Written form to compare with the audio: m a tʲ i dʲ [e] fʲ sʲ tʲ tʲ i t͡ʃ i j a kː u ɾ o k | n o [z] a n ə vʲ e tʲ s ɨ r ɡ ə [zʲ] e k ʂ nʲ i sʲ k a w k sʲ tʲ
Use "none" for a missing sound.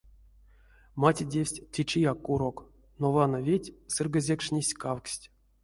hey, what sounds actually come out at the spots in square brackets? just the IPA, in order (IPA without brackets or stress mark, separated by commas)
e, v, zʲ